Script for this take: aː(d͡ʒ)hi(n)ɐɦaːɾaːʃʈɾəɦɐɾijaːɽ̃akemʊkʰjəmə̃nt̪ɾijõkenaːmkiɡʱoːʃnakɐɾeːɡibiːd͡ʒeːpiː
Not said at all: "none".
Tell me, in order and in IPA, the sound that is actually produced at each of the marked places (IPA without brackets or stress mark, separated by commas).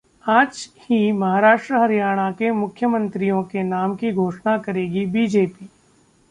d͡ʒ, m